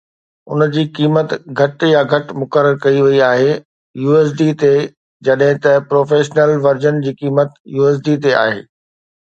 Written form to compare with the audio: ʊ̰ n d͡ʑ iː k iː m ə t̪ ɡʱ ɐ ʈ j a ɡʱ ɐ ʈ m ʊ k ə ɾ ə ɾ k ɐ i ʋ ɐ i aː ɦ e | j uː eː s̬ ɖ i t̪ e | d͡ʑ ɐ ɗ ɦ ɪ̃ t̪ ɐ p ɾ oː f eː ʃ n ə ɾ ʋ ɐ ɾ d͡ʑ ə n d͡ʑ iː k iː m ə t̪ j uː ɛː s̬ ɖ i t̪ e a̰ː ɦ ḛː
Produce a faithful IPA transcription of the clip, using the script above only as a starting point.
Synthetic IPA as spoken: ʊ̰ n d͡ʑ iː k iː m ə t̪ ɡʱ ɐ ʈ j a ɡʱ ɐ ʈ m ʊ k ə ɾ ə ɾ k ɐ i ʋ ɐ i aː ɦ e | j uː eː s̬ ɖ i t̪ e | d͡ʑ ɐ ɗ ɦ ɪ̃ t̪ ɐ p ɾ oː f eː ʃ n ə l ʋ ɐ ɾ d͡ʑ ə n d͡ʑ iː k iː m ə t̪ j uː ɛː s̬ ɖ i t̪ e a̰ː ɦ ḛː